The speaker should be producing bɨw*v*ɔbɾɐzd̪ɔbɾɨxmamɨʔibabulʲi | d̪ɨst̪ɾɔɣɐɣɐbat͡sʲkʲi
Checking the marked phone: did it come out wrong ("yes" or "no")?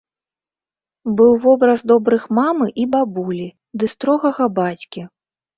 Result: no